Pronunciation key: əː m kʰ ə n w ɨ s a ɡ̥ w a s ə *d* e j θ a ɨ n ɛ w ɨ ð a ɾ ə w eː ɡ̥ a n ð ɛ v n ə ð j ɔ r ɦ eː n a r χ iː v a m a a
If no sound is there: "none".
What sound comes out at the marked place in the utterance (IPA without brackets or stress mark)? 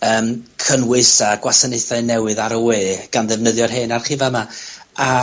n